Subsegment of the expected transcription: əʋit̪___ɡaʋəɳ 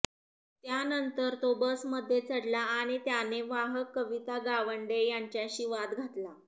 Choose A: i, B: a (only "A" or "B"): B